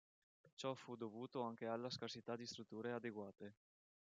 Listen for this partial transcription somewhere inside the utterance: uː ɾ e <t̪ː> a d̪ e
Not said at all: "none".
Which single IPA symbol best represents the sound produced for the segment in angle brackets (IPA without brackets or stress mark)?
none